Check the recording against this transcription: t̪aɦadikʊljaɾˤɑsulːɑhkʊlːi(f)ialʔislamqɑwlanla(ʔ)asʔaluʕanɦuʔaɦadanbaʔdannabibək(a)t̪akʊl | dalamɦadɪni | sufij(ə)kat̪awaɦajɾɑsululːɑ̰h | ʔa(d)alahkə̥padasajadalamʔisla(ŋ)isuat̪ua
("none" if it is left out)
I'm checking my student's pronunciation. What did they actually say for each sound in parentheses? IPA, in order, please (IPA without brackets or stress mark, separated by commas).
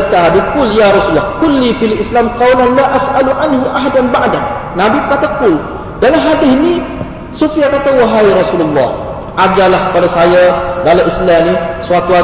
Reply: f, ʔ, a, a, d͡ʒ, n